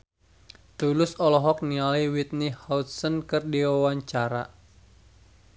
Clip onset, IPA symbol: t̪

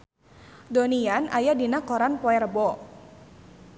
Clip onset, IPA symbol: d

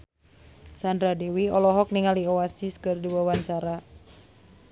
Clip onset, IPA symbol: s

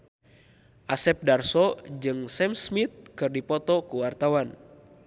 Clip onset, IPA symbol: ʔ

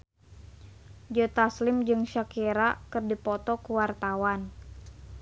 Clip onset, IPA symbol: d͡ʒ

